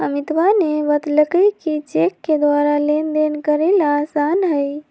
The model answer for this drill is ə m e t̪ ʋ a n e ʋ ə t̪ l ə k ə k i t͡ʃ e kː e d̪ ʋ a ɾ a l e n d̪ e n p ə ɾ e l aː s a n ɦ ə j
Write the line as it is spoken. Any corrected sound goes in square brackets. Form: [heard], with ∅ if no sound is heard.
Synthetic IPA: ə m [i] t̪ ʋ a n e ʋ ə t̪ l ə k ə k i t͡ʃ e kː e d̪ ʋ a ɾ a l e n d̪ e n [k] ə ɾ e l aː s a n ɦ ə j